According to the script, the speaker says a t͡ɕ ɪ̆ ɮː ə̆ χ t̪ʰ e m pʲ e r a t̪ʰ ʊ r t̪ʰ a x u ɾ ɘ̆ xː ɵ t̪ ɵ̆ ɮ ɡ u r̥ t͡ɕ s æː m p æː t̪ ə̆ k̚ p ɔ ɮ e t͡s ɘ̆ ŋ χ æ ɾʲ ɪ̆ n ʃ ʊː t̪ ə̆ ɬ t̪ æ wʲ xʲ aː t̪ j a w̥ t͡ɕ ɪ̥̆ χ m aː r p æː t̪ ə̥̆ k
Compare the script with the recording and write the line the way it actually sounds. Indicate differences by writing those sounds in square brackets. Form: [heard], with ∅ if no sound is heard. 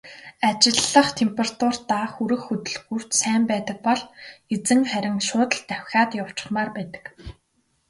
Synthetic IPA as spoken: a t͡ɕ ɪ̆ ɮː ə̆ χ t̪ʰ e m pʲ e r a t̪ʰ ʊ r [t̪] a x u ɾ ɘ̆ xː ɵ t̪ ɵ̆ ɮ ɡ u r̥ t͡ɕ s æː m p æː t̪ ə̆ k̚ p ɔ ɮ e t͡s ɘ̆ ŋ χ æ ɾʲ ɪ̆ [ŋ] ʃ ʊː t̪ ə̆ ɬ t̪ æ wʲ xʲ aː t̪ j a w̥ t͡ɕ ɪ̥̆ χ m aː r p æː t̪ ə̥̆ k